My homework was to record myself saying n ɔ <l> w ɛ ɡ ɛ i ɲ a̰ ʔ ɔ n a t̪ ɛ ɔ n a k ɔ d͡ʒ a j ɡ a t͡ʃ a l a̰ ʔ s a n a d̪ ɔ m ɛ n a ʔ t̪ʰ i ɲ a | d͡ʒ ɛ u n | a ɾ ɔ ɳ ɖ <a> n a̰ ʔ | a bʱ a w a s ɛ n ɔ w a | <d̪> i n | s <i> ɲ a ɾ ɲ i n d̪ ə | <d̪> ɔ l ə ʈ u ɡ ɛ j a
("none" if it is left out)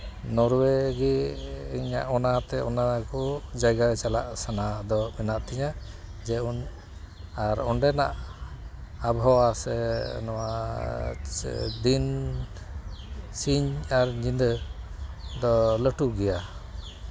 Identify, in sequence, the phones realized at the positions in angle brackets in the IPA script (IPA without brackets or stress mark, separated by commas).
ɾ, ɛ, d̪, i, d̪